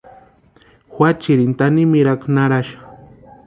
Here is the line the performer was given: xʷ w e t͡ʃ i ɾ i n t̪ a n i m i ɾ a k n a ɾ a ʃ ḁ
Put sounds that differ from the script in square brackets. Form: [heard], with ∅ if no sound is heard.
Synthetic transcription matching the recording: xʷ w [a] t͡ʃ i ɾ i n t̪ a n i m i ɾ a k n a ɾ a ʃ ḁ